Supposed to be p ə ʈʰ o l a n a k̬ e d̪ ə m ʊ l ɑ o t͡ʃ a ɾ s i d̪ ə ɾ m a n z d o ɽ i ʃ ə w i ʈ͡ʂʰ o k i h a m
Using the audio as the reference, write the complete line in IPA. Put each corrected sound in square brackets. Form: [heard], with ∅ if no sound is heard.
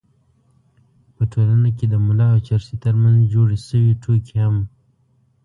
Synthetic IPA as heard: p ə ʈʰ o l a n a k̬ e d̪ ə m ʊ l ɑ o t͡ʃ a ɾ s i [t̪] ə ɾ m a n z [d͡ʒ] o ɽ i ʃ ə w i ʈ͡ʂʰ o k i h a m

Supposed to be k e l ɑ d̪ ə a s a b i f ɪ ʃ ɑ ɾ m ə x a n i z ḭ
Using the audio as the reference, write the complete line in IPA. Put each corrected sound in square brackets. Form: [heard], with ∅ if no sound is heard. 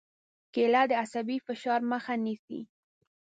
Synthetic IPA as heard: k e l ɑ d̪ ə a s a b i f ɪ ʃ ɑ ɾ m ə x a n i [s] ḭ

